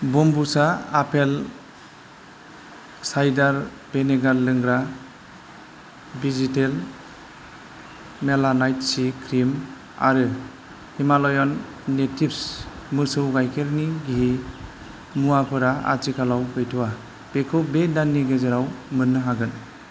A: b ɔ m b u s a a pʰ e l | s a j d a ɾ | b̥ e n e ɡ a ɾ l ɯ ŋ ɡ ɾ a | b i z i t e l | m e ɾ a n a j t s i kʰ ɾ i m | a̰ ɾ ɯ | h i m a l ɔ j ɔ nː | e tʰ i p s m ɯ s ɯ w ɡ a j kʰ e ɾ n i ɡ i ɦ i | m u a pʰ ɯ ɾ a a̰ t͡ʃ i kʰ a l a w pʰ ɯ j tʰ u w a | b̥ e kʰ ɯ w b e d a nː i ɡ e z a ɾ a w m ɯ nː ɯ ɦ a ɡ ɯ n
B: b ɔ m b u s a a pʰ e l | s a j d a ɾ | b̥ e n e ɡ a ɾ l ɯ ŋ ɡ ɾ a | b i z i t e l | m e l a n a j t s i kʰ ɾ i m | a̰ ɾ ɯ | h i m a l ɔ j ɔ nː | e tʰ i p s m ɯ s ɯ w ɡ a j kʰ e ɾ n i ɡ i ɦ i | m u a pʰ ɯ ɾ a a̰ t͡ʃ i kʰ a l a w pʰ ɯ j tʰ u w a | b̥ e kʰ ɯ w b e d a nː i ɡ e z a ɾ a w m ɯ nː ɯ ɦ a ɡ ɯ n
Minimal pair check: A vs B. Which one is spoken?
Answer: B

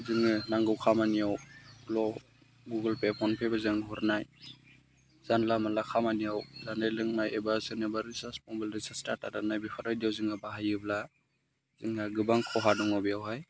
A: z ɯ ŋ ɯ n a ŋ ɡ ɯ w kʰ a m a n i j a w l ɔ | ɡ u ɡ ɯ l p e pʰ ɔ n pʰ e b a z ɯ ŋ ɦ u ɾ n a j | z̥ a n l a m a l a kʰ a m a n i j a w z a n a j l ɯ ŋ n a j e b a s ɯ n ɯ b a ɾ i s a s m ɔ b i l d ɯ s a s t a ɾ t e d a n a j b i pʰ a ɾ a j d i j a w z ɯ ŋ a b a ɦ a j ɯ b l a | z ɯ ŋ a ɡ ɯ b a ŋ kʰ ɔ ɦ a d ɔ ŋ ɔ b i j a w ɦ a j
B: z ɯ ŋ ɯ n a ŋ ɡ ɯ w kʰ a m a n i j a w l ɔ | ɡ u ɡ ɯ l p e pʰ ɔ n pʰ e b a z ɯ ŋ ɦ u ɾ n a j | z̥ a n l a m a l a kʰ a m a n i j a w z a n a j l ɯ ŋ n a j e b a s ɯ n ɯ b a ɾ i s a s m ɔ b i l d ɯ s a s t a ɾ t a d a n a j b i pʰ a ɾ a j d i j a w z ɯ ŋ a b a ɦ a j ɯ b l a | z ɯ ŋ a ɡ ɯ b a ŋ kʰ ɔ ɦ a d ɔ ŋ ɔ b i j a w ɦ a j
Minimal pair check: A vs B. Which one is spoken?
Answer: B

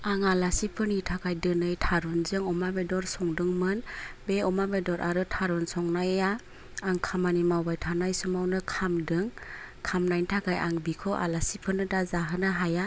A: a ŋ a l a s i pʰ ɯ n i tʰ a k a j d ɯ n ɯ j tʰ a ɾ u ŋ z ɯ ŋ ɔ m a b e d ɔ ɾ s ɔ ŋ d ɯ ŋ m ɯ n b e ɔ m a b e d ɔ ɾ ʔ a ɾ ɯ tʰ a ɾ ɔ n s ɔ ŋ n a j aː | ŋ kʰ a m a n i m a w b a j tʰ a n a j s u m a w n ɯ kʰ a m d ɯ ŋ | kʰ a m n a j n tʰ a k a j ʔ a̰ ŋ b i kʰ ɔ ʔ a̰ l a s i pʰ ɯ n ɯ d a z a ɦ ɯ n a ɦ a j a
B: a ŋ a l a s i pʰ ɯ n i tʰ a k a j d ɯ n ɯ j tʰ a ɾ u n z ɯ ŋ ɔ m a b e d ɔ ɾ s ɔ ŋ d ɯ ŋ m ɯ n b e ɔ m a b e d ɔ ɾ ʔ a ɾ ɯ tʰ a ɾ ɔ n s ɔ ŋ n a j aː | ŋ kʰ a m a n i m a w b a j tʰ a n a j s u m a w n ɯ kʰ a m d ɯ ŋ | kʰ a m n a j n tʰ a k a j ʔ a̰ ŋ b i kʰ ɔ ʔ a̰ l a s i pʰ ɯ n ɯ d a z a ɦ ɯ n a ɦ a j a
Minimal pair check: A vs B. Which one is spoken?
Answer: B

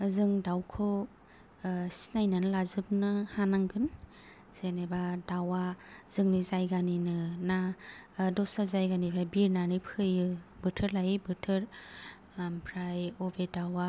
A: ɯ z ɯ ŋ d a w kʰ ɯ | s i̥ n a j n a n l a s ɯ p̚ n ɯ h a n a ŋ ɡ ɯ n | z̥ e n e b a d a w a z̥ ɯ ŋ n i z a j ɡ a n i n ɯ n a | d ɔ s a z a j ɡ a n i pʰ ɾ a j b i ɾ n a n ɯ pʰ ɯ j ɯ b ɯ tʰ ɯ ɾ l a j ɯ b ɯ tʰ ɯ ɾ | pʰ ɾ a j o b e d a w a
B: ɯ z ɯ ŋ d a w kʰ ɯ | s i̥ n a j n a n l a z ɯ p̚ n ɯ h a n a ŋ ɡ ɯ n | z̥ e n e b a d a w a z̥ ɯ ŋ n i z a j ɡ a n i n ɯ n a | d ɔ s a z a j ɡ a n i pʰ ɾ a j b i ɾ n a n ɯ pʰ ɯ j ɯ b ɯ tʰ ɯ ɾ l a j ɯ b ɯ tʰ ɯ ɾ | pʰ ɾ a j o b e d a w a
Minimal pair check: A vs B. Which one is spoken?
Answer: B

